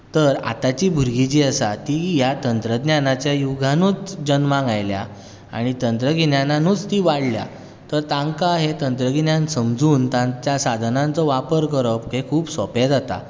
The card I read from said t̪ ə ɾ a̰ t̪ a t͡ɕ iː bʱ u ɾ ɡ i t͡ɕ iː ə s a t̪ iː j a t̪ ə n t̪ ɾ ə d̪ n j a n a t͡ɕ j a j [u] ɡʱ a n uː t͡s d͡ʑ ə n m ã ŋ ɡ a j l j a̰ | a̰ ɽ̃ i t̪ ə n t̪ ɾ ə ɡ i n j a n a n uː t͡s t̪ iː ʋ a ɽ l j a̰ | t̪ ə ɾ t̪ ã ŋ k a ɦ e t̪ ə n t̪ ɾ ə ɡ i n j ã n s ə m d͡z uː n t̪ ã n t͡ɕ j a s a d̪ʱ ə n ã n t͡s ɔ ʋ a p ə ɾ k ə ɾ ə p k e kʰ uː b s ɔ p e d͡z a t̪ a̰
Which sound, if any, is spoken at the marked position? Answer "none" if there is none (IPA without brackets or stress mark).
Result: u